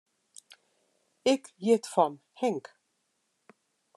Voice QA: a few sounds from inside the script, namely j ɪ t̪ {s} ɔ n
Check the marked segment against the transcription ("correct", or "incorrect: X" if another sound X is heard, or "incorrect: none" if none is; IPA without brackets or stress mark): incorrect: f